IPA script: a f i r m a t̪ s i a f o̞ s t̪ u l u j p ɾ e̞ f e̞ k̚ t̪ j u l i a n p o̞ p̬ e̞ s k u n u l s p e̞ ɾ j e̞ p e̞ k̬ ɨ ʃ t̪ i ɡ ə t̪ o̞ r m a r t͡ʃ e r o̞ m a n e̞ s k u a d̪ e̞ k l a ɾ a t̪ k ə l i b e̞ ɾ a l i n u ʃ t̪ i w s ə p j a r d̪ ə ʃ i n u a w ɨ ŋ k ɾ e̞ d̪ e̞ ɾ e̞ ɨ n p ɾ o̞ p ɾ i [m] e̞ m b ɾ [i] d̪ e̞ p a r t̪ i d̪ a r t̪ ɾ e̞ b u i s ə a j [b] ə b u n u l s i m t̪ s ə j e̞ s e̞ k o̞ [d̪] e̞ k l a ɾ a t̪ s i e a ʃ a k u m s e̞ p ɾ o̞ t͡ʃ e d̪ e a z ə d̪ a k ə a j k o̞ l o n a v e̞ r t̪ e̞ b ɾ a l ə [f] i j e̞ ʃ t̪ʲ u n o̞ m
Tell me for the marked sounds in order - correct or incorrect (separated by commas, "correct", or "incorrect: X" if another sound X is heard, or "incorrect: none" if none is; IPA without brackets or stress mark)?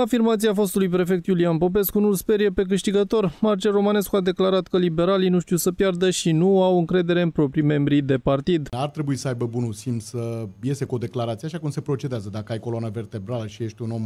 correct, correct, correct, correct, incorrect: ʃ